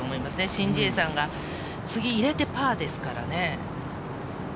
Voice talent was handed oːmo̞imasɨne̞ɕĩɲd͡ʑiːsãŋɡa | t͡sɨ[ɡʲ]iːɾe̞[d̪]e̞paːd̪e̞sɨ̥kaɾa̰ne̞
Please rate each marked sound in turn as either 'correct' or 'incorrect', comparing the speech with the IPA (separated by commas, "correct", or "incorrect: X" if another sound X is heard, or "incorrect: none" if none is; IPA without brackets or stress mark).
correct, incorrect: t̪